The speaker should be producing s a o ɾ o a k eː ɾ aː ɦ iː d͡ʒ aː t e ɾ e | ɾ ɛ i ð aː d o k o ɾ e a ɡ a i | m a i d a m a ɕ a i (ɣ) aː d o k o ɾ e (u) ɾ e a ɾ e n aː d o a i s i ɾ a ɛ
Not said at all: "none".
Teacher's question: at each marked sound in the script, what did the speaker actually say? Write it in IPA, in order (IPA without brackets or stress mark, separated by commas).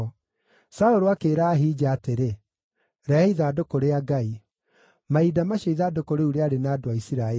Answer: ð, u